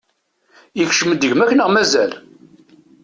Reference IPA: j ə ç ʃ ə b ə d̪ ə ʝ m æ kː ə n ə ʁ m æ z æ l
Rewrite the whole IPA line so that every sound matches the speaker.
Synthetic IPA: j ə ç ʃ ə m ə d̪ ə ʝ m æ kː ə n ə ʁ m æ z æ l